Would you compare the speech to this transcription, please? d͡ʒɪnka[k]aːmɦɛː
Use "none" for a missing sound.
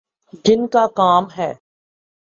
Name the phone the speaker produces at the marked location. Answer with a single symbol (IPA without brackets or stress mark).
k